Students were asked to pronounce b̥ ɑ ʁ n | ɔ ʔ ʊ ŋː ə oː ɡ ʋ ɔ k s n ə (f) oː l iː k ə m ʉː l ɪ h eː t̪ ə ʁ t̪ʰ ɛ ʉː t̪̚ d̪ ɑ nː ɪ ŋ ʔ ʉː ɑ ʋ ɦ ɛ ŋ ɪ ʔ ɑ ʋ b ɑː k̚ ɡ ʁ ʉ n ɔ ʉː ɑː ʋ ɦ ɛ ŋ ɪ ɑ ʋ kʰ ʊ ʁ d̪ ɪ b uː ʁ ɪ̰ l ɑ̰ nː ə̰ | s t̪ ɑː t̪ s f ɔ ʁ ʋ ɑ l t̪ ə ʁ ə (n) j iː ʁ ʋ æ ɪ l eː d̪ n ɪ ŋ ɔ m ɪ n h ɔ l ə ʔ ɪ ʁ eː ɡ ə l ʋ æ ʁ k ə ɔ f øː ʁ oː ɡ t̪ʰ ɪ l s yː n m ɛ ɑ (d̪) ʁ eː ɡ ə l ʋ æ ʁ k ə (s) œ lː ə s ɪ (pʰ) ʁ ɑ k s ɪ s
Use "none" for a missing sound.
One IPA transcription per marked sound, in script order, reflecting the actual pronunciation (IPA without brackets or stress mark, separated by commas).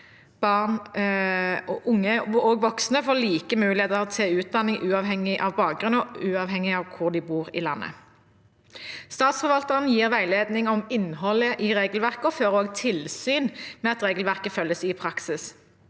f, n, t̪, f, pʰ